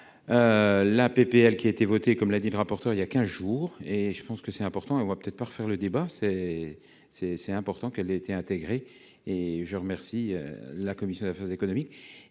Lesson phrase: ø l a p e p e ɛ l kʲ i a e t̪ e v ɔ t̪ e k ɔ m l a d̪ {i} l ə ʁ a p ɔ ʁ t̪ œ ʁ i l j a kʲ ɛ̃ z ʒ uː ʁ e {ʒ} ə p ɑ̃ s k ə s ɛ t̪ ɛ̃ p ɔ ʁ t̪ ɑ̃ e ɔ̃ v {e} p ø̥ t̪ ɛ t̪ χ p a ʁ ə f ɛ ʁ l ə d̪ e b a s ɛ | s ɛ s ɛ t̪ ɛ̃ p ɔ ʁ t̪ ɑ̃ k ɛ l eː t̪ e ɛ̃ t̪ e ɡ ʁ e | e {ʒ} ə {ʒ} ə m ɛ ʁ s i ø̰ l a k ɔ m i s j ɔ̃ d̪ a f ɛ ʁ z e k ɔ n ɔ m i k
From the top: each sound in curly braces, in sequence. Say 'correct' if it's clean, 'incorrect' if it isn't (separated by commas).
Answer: correct, correct, incorrect, correct, incorrect